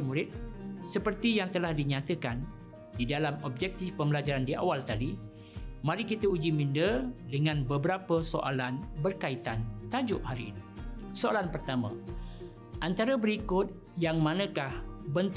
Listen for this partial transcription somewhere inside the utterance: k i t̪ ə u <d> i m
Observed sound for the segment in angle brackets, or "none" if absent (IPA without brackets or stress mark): d͡ʒ